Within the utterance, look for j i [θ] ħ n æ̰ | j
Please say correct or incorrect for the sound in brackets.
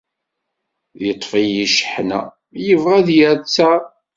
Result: incorrect